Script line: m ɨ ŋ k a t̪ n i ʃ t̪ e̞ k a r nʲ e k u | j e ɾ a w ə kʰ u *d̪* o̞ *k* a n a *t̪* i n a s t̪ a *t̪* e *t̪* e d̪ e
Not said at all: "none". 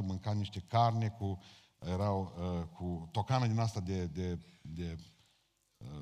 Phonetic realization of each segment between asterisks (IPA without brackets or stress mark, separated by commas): t̪, k, d̪, d̪, d̪